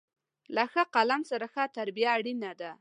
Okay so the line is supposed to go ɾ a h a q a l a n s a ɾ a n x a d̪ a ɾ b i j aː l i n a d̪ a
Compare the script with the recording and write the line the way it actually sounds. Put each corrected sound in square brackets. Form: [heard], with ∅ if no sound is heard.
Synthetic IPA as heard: [l] a [x] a q a l a [m] s a ɾ a [∅] x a [t̪] a ɾ b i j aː [ɽ] i n a d̪ a